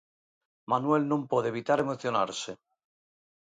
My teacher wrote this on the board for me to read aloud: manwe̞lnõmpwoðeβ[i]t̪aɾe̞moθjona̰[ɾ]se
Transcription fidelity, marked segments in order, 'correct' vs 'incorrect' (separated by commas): correct, correct